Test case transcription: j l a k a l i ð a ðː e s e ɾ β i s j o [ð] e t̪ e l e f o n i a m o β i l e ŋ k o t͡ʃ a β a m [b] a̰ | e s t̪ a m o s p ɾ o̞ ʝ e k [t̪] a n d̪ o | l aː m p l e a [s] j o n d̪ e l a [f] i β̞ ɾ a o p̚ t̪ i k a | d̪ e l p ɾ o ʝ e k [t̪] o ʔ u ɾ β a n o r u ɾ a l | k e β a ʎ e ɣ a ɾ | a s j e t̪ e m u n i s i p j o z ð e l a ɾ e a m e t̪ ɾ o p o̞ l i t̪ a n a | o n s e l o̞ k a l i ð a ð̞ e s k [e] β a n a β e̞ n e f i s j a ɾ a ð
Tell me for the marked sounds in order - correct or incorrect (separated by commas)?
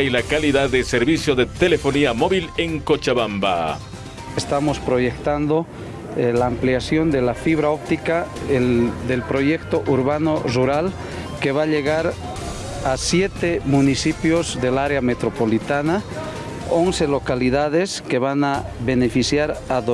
correct, correct, correct, correct, correct, correct, correct